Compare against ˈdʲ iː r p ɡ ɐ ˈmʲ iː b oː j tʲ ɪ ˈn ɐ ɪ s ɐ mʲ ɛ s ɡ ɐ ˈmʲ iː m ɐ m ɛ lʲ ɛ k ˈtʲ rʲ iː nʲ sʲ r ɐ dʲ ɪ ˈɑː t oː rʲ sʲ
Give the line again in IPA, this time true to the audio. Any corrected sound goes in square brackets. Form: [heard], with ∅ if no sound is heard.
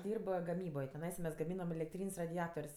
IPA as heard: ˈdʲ iː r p ɡ ɐ ˈmʲ iː b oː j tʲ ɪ ˈn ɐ ɪ s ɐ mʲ ɛ s ɡ ɐ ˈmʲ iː [n] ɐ m ɛ lʲ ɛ k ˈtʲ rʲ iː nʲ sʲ r ɐ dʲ ɪ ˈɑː t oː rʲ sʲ

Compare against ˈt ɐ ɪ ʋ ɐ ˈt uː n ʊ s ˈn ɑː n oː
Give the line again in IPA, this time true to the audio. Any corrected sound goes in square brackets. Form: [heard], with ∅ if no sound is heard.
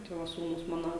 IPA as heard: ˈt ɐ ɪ ʋ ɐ [ˈs] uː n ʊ s [ˈm] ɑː n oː

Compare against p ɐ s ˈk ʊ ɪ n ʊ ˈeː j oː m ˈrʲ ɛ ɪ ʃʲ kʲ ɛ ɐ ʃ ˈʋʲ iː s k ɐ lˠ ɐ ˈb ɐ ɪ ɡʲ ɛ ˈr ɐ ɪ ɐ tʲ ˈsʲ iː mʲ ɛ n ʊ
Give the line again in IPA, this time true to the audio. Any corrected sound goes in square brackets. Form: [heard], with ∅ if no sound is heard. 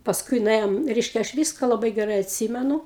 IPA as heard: p ɐ s ˈk ʊ ɪ n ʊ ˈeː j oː m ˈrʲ ɛ ɪ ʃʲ kʲ ɛ ɐ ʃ ˈʋʲ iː s k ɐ lˠ ɐ ˈb ɐ ɪ ɡʲ ɛ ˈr ɐ ɪ ɐ tʲ ˈsʲ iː mʲ ɛ n ʊ

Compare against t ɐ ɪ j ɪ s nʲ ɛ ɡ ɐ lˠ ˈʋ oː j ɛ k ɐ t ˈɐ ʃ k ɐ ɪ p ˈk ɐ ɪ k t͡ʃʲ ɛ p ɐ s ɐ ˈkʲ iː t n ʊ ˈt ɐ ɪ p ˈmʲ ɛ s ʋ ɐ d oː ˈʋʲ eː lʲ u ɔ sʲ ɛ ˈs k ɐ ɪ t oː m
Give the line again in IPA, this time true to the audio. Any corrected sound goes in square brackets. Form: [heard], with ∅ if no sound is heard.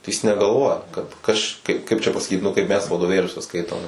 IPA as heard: t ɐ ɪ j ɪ s nʲ ɛ ɡ ɐ lˠ ˈʋ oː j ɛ k ɐ t ˈɐ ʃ k ɐ ɪ p ˈk ɐ ɪ [p] t͡ʃʲ ɛ p ɐ s ɐ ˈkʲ iː t n ʊ [ˈk] ɐ ɪ p ˈmʲ ɛ s ʋ ɐ d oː ˈʋʲ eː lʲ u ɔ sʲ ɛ ˈs k ɐ ɪ t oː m

